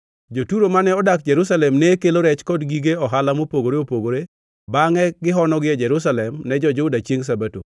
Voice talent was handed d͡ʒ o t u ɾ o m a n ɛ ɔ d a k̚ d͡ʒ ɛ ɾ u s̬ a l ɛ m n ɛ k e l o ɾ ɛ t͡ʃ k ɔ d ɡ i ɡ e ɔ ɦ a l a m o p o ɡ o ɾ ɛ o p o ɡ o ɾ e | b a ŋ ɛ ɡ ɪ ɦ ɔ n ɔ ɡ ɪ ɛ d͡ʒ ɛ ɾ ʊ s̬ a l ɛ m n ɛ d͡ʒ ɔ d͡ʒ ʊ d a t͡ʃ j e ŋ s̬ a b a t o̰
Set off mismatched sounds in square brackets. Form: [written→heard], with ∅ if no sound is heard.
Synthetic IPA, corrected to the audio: d͡ʒ o t u ɾ o m a n ɛ ɔ d a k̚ d͡ʒ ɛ ɾ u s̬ a l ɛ m n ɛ k e l o ɾ ɛ t͡ʃ k ɔ d ɡ i ɡ e ɔ ɦ a l a m o p o ɡ o ɾ [ɛ→e] o p o ɡ o ɾ e | b a ŋ ɛ ɡ ɪ ɦ ɔ n ɔ ɡ ɪ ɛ d͡ʒ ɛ ɾ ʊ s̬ a l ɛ m n ɛ d͡ʒ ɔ d͡ʒ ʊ d a t͡ʃ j e ŋ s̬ a b a t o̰